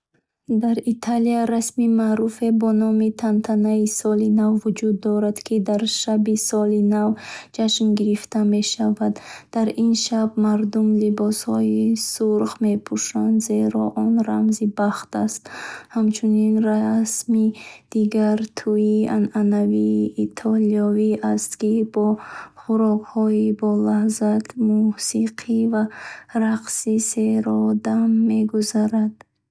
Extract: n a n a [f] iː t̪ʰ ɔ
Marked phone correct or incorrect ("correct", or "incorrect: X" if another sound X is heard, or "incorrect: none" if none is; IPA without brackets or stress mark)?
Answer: incorrect: v